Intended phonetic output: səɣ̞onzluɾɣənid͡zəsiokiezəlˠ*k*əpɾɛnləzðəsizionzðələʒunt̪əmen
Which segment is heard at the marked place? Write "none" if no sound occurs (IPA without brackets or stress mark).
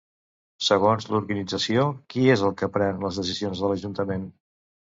k